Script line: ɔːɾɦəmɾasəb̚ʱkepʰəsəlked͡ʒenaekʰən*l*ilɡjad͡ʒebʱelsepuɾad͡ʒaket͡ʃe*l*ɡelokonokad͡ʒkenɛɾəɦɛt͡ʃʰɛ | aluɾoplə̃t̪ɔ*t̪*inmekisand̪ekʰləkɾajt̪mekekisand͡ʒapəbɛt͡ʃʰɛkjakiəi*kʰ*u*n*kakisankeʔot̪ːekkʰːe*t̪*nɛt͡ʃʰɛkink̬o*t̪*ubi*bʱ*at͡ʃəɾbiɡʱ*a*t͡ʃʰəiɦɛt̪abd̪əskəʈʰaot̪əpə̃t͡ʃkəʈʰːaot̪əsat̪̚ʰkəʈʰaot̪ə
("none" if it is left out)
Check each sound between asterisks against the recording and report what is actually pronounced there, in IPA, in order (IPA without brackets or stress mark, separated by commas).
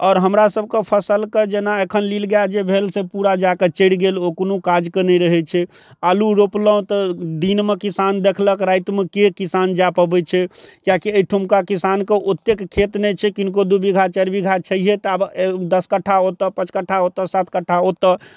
l, ɽ, d̪, ʈʰ, m, t̪, d̪, ɡʱ, a